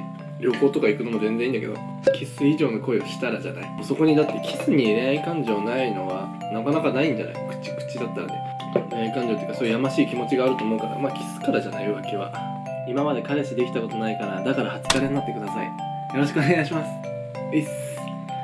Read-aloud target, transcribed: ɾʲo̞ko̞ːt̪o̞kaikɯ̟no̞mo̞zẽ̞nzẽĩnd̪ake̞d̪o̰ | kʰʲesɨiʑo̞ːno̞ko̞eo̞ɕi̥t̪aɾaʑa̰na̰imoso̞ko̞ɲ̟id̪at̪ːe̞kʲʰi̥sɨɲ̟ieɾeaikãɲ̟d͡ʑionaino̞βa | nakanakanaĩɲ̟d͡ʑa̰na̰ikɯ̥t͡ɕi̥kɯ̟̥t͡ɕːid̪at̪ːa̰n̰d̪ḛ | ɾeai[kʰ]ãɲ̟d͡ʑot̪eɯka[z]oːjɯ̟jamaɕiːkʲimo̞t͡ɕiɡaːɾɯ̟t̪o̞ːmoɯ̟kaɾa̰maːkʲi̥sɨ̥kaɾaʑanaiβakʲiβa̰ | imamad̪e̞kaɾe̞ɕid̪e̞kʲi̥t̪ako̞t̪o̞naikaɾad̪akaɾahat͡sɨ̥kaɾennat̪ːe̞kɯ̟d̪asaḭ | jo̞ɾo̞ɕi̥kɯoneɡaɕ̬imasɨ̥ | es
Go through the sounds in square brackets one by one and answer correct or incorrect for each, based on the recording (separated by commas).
incorrect, incorrect